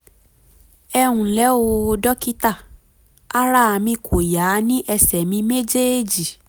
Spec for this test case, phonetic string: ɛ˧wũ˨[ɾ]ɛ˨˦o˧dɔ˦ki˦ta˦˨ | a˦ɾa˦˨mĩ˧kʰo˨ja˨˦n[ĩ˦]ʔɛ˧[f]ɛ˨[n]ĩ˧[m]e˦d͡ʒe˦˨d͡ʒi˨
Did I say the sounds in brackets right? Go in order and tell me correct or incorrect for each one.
incorrect: l, correct, incorrect: s, incorrect: m, correct

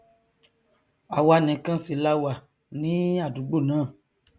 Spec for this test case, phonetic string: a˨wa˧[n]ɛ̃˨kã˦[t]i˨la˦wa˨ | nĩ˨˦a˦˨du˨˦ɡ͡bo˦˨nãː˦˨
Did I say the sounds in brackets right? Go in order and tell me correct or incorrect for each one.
correct, incorrect: s

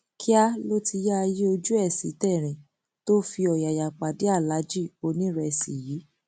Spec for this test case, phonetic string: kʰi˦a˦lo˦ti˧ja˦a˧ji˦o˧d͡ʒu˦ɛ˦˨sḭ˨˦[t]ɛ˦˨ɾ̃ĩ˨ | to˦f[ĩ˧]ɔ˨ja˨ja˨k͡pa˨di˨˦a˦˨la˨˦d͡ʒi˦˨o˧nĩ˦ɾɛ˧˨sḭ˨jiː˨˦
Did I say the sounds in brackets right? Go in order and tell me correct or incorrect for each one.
correct, incorrect: i˧

